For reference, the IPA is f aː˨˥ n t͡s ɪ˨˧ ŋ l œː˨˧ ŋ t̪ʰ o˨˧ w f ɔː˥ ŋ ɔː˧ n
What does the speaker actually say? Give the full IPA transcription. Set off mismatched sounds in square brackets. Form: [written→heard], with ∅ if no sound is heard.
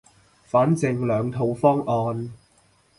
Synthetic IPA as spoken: f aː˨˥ n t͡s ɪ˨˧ ŋ l œː˨˧ ŋ t̪ʰ o˨˧ w f ɔː˥ ŋ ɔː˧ n